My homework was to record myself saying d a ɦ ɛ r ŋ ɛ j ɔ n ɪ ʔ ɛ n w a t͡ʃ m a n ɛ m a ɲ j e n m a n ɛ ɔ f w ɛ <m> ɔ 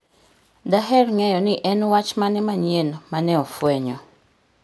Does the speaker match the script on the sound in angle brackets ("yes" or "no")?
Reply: no